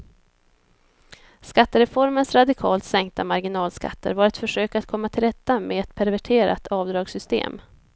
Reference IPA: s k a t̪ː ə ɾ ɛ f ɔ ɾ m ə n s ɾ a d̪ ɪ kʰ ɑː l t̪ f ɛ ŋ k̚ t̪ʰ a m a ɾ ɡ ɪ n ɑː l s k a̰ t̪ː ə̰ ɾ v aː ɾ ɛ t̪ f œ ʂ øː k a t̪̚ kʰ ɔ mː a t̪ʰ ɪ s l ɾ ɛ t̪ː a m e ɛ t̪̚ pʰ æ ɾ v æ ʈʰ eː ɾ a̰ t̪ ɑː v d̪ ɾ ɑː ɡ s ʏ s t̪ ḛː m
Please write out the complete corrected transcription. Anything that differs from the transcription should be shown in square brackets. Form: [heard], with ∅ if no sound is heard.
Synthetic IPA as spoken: s k a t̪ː ə ɾ ɛ f ɔ ɾ m ə n s ɾ a d̪ ɪ kʰ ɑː l t̪ [s] ɛ ŋ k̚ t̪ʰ a m a ɾ ɡ ɪ n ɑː l s k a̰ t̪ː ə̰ ɾ v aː ɾ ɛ t̪ f œ ʂ øː k a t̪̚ kʰ ɔ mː a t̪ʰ ɪ [∅] l ɾ ɛ t̪ː a m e ɛ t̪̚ pʰ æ ɾ v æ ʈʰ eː ɾ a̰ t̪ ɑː v d̪ ɾ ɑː ɡ s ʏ s t̪ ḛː m